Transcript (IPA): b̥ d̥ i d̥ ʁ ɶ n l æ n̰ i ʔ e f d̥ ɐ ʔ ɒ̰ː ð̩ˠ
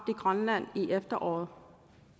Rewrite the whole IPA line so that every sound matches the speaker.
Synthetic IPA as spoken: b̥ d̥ i ɡ̥ ʁ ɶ n l æ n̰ i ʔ e f d̥ ɐ ʔ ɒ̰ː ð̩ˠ